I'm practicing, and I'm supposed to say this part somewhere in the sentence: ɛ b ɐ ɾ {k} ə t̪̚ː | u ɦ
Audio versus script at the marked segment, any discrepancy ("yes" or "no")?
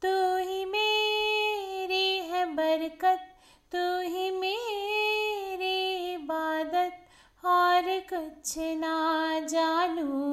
no